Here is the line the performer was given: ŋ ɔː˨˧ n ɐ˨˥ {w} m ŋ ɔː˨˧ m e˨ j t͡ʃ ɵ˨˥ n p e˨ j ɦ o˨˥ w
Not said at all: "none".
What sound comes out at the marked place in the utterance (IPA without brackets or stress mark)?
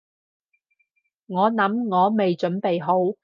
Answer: none